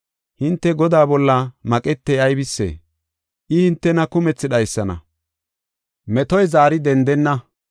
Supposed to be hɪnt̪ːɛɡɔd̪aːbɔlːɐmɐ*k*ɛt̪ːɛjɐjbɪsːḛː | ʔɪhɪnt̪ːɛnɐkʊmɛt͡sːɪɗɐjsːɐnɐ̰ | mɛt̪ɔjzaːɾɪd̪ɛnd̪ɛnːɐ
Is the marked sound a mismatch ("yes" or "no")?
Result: yes